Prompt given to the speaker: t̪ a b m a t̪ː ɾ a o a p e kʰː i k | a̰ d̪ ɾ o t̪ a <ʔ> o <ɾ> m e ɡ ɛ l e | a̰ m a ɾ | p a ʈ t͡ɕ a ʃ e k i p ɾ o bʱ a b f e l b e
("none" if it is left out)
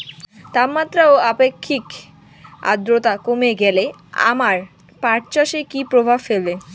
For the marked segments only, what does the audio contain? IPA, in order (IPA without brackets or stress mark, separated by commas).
k, none